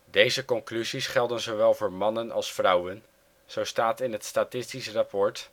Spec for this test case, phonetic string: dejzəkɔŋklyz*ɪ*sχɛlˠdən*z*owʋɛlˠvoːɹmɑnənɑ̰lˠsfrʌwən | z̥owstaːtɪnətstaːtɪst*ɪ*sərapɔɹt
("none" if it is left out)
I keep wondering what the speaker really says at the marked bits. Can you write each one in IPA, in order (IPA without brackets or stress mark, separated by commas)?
i, z, i